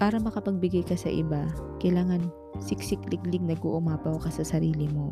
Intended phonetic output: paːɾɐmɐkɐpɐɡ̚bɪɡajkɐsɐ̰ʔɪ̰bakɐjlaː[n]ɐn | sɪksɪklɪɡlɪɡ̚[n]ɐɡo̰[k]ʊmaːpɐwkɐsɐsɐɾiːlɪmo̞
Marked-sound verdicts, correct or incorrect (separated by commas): incorrect, correct, incorrect